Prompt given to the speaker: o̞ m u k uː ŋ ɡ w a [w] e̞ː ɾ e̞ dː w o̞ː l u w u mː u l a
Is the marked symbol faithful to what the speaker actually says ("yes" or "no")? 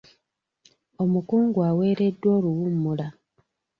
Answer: yes